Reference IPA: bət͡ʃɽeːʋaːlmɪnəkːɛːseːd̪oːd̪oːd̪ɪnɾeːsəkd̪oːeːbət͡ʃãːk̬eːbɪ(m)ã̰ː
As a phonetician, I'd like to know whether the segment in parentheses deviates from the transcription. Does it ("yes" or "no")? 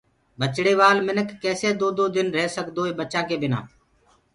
yes